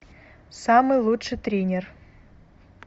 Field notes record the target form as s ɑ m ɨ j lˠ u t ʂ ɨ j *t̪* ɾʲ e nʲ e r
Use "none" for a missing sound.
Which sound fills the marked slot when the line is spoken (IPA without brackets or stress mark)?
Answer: t̪